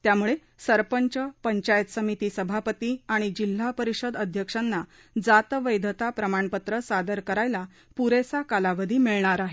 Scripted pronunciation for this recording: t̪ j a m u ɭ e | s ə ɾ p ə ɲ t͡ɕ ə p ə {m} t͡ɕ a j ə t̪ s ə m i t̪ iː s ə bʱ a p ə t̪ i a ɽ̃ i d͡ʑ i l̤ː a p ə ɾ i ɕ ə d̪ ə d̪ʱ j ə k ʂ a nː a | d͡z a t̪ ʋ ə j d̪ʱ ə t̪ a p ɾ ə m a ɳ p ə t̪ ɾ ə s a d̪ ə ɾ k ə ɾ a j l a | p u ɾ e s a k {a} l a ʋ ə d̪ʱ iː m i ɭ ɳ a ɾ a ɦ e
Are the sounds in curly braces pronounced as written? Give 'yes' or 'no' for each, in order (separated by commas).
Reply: no, yes